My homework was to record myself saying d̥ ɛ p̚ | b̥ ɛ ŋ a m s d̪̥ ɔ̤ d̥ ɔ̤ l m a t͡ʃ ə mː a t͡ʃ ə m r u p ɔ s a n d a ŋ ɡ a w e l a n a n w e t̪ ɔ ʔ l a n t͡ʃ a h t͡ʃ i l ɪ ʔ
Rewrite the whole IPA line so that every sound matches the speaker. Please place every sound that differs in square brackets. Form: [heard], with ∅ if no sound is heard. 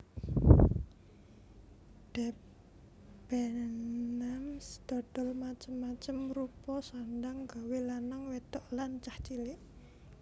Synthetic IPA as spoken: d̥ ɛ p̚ | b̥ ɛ [n] a m s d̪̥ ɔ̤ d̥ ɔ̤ l m a t͡ʃ ə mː a t͡ʃ ə m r u p ɔ s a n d a ŋ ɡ a w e l a n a [ŋ] w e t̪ ɔ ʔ l a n t͡ʃ a h t͡ʃ i l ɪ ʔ